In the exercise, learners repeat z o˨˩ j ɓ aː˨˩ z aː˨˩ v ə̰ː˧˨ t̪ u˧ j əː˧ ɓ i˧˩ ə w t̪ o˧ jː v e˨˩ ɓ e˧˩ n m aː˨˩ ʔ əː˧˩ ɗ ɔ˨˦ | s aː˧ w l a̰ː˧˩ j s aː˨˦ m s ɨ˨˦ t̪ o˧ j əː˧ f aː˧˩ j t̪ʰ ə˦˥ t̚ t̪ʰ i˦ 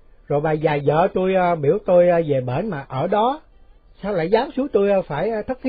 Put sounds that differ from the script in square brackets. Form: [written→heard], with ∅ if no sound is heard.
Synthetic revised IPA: z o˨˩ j ɓ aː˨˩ z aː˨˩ [v→z] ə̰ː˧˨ t̪ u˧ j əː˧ ɓ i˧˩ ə w t̪ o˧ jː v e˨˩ ɓ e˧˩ n m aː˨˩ ʔ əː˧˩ ɗ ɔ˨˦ | s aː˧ w l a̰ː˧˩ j [s→z] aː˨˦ m s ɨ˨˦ t̪ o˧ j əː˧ f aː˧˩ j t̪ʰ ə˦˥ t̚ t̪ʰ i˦